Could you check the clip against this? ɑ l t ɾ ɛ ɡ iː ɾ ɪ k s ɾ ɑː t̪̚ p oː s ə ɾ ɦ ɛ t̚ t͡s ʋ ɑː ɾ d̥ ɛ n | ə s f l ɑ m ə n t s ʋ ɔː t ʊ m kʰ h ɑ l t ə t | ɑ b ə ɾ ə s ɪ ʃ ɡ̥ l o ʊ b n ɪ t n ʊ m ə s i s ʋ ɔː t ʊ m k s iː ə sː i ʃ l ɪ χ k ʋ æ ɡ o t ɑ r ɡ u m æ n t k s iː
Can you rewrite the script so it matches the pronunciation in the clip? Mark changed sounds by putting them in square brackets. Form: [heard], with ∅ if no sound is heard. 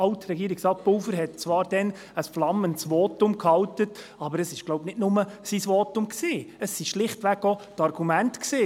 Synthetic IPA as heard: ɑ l t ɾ ɛ ɡ iː ɾ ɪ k s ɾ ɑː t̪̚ p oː [f] ə ɾ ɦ ɛ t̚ t͡s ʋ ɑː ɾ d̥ ɛ n | ə s f l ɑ m ə n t s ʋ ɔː t ʊ m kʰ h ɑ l t ə t | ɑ b ə ɾ ə s ɪ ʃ ɡ̥ l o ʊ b n ɪ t n ʊ m ə s i s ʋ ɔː t ʊ m k s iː ə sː i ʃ l ɪ χ [t] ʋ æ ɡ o t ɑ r ɡ u m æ n t k s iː

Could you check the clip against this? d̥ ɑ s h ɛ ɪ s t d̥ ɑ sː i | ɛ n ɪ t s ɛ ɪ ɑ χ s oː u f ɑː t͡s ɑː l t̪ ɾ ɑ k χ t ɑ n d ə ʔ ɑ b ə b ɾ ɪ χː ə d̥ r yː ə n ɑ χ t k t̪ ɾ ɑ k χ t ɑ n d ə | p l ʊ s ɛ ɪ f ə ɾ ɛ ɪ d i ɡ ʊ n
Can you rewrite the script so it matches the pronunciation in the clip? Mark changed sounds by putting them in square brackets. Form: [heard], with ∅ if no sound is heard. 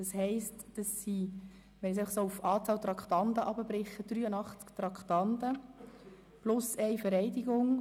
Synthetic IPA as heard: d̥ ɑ s h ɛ ɪ s t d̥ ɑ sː i | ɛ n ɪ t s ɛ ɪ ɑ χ s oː u f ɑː t͡s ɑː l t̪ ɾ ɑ k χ t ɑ n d ə ʔ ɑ b ə b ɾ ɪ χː ə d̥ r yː ə n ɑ χ [t͡s] k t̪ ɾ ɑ k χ t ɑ n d ə | p l ʊ s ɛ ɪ f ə ɾ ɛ ɪ d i ɡ ʊ [ŋ]

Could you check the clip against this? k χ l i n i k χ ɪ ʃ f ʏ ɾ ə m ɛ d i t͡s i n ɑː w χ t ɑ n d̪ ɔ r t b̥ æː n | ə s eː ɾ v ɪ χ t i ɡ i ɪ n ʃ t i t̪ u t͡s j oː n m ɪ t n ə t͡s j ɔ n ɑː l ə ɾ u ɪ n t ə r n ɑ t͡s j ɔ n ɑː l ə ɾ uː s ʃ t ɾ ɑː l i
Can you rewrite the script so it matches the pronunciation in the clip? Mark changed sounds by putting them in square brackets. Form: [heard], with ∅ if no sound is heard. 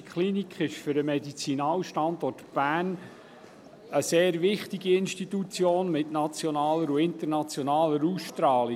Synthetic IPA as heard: k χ l i n i k χ ɪ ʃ f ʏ ɾ ə m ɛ d i t͡s i n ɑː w [ʃ] t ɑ n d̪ ɔ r t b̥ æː n | ə s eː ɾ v ɪ χ t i ɡ i ɪ n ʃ t i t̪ u t͡s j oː n m ɪ t n [ɑ] t͡s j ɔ n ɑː l ə ɾ u ɪ n t ə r n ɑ t͡s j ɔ n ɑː l ə ɾ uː s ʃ t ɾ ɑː l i

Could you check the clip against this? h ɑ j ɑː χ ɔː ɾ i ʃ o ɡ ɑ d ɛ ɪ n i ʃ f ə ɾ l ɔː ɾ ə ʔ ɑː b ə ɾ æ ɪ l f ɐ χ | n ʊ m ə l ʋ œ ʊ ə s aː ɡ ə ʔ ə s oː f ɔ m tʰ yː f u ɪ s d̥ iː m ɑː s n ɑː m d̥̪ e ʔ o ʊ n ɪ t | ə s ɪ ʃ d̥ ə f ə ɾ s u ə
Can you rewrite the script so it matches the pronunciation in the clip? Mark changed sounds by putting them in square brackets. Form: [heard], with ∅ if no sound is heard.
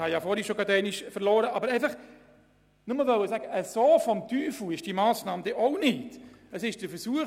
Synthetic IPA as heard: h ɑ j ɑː [f] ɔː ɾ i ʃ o ɡ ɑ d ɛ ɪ n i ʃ f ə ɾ l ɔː ɾ ə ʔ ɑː b ə ɾ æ ɪ [∅] f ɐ χ | n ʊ m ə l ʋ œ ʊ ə s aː ɡ ə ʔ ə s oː f ɔ m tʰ yː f u ɪ [ʃ] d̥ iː m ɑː s n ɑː m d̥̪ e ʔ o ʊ n ɪ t | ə s ɪ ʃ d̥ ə f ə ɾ s u ə

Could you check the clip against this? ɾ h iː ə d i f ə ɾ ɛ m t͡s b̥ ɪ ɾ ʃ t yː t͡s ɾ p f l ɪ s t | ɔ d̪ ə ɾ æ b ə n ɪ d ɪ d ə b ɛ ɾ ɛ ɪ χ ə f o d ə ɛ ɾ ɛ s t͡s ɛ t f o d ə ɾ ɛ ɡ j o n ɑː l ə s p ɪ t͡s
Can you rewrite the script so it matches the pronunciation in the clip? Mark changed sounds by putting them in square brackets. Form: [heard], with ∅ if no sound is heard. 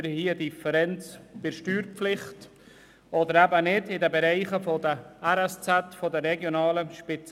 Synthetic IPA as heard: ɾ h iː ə d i f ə ɾ ɛ [n] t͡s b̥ ɪ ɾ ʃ t yː [∅] ɾ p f l ɪ [χ] t | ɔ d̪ ə ɾ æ b ə n ɪ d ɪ d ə b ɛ ɾ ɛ ɪ χ ə f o d ə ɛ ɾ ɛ s t͡s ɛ t f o d ə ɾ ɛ ɡ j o n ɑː l ə [ʃ] p ɪ t͡s

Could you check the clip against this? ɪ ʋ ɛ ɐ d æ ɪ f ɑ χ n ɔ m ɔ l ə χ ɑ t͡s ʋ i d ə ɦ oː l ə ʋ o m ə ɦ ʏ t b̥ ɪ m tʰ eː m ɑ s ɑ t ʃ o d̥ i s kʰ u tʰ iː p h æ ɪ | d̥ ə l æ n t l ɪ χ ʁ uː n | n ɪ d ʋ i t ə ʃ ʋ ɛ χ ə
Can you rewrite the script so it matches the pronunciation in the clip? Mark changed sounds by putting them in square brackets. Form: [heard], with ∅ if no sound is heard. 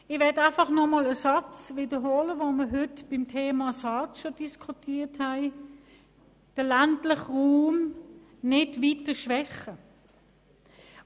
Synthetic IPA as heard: ɪ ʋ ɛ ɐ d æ ɪ f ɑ χ n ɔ m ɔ l ə [s] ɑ t͡s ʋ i d ə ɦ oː l ə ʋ o m ə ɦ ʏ t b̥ ɪ m tʰ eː m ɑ s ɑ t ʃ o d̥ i s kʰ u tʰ iː [t] h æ ɪ | d̥ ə l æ n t l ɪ χ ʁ uː [m] | n ɪ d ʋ i t ə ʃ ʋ ɛ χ ə

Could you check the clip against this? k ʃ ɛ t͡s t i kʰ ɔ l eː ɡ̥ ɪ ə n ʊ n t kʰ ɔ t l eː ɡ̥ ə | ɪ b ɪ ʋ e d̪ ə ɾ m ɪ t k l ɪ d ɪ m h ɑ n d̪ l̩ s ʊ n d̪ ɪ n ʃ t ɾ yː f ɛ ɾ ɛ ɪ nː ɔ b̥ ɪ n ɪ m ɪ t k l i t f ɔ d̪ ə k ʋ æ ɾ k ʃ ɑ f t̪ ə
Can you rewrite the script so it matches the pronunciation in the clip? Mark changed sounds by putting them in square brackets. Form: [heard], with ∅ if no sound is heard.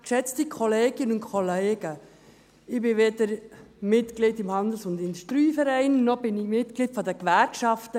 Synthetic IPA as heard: k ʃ ɛ t͡s t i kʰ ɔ l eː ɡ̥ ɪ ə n ʊ n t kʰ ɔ [∅] l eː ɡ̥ ə | ɪ b ɪ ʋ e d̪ ə ɾ m ɪ t k l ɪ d ɪ m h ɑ n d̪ l̩ s ʊ n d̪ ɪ n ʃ t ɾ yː f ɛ ɾ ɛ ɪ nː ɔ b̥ ɪ n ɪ m ɪ t k l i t f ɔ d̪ ə k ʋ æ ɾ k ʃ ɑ f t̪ ə

